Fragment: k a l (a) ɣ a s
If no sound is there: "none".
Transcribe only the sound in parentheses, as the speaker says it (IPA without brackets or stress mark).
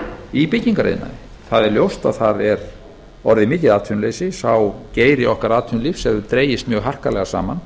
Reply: ɛ